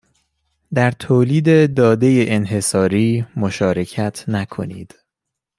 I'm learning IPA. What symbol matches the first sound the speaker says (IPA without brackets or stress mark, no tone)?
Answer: d̪